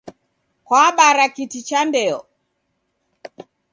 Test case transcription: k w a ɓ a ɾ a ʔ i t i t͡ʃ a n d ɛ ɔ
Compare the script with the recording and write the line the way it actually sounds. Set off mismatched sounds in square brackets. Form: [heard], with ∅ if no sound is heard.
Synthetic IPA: k w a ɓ a ɾ a [k] i t i t͡ʃ a n d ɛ ɔ